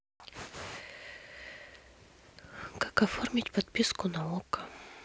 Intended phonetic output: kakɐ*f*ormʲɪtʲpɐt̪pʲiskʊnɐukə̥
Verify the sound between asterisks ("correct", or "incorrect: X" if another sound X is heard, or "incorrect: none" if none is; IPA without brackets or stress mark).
correct